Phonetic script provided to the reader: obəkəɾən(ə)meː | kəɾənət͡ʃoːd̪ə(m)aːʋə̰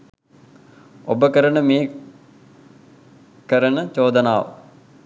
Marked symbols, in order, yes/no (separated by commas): yes, no